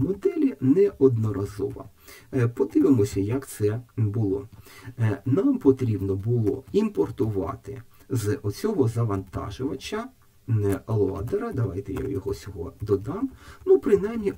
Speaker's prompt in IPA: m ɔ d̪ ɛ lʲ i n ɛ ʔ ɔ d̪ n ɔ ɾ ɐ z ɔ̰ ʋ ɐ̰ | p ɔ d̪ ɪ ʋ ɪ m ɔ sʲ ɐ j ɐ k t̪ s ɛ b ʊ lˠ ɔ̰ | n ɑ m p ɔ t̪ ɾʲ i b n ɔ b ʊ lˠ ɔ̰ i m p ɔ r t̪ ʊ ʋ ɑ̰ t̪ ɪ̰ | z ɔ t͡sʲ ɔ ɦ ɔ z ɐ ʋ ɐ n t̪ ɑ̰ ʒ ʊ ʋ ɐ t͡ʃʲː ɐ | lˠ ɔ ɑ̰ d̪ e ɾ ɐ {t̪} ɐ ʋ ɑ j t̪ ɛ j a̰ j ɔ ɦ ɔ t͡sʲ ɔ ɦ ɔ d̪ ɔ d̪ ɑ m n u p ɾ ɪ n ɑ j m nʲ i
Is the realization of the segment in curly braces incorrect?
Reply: yes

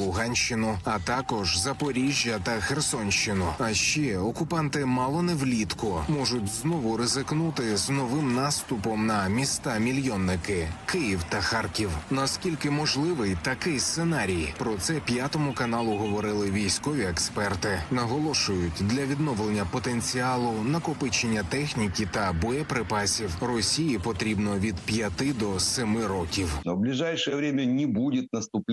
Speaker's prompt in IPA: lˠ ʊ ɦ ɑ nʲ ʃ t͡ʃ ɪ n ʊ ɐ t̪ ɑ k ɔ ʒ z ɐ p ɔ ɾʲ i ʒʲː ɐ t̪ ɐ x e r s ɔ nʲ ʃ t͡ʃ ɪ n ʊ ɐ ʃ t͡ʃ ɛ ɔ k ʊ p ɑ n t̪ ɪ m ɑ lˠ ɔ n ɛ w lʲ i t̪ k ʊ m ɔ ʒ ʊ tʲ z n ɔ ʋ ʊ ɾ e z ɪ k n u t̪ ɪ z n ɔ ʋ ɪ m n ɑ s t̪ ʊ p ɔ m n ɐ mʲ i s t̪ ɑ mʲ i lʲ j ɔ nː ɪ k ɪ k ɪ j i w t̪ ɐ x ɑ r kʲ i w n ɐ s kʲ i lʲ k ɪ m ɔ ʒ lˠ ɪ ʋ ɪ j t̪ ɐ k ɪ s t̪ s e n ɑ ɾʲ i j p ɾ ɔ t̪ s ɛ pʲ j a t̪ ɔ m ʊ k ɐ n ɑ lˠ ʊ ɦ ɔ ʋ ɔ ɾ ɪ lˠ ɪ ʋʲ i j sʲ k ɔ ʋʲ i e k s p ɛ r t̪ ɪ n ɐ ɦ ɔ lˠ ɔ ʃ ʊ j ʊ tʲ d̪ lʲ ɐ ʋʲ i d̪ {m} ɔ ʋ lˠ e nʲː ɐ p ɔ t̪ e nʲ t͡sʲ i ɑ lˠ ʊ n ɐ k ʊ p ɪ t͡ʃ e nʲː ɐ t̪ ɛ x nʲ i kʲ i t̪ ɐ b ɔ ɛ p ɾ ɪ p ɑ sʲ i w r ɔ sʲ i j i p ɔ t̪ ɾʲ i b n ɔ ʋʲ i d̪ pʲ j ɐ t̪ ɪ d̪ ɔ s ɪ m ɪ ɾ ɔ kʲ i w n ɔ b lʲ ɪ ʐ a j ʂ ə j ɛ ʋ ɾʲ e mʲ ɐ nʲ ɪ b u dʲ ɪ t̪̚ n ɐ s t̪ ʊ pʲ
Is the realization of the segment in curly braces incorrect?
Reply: yes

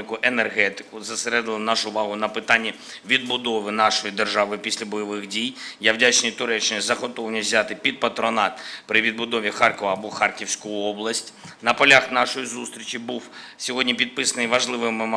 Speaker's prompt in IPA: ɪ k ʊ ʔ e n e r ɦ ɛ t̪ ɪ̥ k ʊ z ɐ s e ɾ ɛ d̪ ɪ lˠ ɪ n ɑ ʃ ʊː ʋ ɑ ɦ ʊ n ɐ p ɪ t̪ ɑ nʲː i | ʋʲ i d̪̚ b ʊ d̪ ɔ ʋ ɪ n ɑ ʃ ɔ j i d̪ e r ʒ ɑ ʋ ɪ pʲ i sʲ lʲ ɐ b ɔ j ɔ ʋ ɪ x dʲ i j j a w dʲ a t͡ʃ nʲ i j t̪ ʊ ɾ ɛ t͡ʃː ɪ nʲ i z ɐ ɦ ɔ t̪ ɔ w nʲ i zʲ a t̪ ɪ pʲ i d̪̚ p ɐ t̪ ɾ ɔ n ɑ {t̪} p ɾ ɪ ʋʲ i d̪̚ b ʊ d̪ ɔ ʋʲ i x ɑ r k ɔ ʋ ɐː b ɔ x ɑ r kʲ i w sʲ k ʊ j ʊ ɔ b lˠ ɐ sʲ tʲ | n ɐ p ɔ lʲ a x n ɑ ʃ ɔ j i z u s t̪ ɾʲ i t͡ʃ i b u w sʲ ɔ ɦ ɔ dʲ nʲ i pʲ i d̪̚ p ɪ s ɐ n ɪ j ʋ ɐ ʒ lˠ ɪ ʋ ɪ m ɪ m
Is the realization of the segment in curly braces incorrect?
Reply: no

